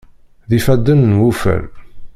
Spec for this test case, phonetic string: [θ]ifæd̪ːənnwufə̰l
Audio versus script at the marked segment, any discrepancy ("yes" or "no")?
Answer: yes